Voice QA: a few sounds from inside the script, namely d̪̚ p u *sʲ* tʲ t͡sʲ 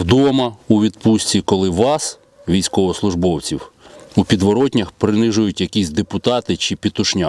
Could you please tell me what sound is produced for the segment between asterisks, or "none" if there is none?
sʲ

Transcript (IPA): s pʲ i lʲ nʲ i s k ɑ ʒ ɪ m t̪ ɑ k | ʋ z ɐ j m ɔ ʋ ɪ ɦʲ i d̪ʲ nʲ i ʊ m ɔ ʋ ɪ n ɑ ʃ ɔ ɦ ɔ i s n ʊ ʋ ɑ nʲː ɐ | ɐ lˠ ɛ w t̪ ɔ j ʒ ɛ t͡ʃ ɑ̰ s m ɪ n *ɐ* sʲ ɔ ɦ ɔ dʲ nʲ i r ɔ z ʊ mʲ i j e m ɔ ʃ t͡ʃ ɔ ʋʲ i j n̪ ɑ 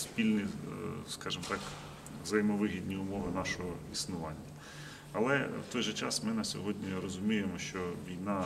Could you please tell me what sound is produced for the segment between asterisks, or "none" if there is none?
ɐ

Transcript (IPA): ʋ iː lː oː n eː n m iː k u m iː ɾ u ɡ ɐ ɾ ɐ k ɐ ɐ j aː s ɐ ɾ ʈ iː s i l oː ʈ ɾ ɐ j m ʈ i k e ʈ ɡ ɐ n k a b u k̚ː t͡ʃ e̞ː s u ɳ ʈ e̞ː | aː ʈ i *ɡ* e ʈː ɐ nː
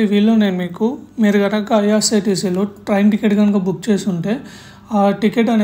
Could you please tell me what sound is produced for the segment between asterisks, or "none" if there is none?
k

